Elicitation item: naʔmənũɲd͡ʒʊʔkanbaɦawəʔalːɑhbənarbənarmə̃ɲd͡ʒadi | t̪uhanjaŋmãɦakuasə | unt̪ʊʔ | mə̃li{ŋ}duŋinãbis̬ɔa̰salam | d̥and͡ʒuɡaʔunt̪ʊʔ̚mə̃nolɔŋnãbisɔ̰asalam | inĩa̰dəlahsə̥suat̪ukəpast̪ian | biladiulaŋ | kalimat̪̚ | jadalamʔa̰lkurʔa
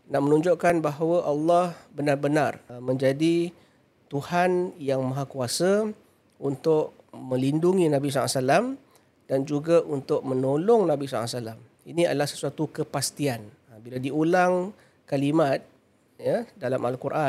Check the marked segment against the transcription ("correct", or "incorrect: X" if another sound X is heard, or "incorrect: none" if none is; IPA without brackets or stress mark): incorrect: n